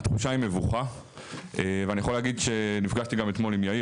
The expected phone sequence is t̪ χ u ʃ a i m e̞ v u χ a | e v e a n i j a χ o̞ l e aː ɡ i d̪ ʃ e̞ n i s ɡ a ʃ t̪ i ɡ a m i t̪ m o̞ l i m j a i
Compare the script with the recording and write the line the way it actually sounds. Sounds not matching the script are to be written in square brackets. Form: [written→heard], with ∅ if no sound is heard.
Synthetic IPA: t̪ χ u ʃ a i m e̞ v u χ a | e v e a n i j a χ o̞ l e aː ɡ i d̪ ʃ e̞ n i [s→f] ɡ a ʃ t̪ i ɡ a m [i→e] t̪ m o̞ l i m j a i